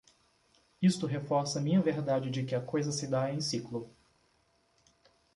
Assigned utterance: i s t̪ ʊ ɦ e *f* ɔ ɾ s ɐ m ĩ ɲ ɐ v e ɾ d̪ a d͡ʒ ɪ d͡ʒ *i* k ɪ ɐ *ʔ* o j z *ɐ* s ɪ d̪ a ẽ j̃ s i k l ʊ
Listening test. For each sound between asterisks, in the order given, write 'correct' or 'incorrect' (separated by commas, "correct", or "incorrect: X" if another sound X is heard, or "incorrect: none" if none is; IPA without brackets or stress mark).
correct, incorrect: ɪ, incorrect: k, correct